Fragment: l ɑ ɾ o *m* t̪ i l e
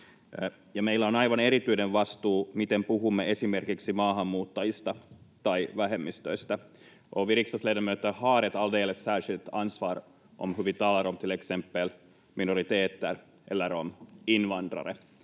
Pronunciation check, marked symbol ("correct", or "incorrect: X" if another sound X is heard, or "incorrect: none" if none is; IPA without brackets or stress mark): correct